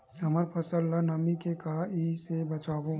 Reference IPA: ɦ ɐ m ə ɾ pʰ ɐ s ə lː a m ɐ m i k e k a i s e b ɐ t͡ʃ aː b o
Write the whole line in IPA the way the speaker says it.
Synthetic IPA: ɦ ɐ m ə ɾ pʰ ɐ s ə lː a n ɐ m i k e k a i s e b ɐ t͡ʃ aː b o

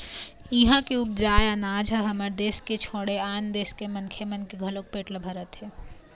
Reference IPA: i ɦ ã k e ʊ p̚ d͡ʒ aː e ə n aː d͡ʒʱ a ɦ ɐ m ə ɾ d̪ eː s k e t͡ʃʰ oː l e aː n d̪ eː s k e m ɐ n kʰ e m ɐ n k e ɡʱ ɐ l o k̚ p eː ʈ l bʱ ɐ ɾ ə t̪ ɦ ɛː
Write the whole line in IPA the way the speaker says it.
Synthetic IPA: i ɦ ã k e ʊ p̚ d͡ʒ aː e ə n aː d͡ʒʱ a ɦ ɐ m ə ɾ d̪ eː s k e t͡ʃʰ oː ɽ e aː n d̪ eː s k e m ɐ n kʰ e m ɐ n k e ɡʱ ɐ l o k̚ p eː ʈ l bʱ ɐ ɾ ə t̪ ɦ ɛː

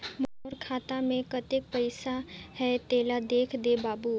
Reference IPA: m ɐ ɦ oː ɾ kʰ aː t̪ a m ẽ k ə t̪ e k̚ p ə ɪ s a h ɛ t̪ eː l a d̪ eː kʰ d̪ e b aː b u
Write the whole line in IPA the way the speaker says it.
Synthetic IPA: m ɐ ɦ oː ɾ kʰ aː t̪ a m ẽ k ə t̪ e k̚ p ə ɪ s a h ɛ t̪ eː l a d̪ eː kʰ d̪ e b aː b u

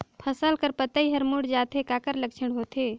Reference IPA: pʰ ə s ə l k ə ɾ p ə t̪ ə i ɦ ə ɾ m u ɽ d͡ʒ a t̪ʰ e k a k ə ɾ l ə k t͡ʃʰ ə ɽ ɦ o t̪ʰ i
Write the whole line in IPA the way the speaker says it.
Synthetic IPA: pʰ ə s ə l k ə ɾ p ə t̪ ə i ɦ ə ɾ m u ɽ d͡ʒ a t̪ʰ e k a k ə ɾ l ə k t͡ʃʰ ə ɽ ɦ o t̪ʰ e

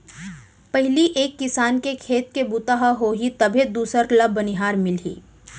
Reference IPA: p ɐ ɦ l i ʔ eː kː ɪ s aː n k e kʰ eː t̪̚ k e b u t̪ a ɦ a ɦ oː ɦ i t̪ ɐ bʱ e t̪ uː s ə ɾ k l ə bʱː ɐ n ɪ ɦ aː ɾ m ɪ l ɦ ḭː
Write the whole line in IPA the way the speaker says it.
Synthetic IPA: p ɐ ɦ l i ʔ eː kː ɪ s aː n k e kʰ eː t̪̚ k e b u t̪ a ɦ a ɦ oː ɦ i t̪ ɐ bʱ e d̪ uː s ə ɾ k l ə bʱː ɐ n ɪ ɦ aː ɾ m ɪ l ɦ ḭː

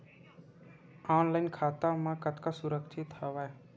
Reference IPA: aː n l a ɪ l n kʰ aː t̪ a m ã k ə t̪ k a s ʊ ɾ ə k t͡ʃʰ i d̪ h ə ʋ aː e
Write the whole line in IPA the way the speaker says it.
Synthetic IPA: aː n l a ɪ n kʰ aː t̪ a m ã k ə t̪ k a s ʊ ɾ ə k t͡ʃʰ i t̪ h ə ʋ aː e

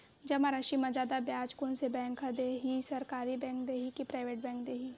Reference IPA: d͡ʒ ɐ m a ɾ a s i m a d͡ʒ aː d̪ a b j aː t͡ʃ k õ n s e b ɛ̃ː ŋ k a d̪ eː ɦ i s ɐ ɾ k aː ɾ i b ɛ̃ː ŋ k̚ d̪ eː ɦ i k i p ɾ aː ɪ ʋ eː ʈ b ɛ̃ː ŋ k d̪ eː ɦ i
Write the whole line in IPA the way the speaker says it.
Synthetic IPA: d͡ʒ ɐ m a ɾ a ʃ i m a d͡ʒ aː d̪ a b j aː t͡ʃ k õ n s e b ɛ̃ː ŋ k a d̪ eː ɦ i s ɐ ɾ k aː ɾ i b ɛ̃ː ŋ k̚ d̪ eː ɦ i k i p ɾ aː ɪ ʋ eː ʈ b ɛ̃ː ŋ k d̪ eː ɦ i

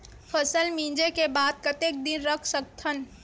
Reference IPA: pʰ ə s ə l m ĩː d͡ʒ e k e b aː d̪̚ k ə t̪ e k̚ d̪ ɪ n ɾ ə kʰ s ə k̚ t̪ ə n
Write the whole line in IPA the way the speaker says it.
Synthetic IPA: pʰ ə s ə l m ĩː d͡ʒ e k e b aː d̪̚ k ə t̪ e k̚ d̪ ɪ n ɾ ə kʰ s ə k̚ t̪ʰ ə n

